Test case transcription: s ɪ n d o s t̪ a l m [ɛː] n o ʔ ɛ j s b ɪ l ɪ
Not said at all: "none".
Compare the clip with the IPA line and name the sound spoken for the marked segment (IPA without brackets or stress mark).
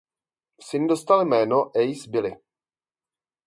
ɛː